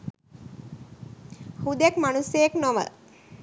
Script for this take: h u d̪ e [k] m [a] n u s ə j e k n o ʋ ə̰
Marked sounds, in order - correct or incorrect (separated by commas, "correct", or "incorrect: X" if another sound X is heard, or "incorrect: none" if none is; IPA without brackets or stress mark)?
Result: correct, correct